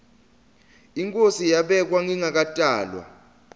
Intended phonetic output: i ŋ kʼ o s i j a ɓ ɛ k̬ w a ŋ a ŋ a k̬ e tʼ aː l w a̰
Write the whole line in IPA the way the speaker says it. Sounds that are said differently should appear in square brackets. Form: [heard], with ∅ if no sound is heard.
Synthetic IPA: i ŋ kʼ o s i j a ɓ ɛ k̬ w a ŋ [i] ŋ a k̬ [a] tʼ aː l w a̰